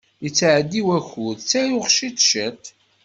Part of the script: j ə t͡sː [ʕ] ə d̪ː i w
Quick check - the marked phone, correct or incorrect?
correct